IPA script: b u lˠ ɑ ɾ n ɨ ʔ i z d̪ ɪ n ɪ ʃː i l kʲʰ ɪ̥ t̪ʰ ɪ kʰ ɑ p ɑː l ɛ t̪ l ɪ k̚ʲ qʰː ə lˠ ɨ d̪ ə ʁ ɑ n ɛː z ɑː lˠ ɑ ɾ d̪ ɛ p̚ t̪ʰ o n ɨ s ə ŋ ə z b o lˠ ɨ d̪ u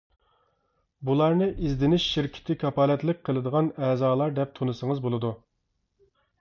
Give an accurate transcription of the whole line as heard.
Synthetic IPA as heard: b u lˠ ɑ ɾ n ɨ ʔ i z d̪ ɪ n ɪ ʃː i ɾ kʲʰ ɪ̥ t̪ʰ ɪ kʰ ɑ p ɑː l ɛ t̪ l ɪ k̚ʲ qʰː ə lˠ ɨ d̪ ə ʁ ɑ n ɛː z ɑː lˠ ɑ ɾ d̪ ɛ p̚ t̪ʰ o n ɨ s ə ŋ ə z b o lˠ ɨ d̪ u